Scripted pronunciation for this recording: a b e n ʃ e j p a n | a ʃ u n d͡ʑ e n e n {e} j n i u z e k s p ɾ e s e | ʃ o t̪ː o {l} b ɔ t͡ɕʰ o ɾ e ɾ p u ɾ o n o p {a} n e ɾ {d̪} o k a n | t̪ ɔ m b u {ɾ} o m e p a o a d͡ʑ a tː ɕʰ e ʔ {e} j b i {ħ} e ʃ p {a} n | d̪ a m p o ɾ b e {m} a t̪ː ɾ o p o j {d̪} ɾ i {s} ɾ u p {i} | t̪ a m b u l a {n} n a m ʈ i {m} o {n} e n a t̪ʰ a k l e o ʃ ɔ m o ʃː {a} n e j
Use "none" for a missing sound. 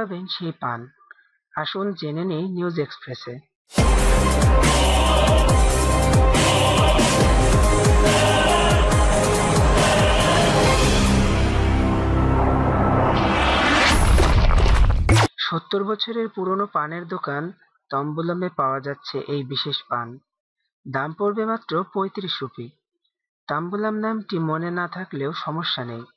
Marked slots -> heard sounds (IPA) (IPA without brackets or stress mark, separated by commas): e, ɾ, a, d̪, l, e, ʃ, a, m, t̪, ʃ, i, m, m, n, a